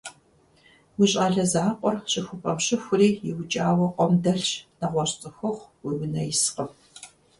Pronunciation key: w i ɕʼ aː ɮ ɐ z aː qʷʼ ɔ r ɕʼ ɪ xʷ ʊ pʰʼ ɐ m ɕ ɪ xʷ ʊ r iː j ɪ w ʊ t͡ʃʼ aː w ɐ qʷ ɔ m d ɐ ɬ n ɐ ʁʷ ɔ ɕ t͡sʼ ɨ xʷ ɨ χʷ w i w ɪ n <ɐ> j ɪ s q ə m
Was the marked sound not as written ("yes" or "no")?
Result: no